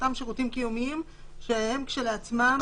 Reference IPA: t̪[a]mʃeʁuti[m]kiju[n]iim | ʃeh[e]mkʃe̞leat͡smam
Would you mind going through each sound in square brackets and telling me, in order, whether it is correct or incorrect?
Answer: correct, correct, incorrect, correct

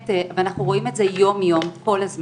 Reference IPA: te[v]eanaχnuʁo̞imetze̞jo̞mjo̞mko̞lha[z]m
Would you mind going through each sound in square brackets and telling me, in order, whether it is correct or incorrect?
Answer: correct, correct

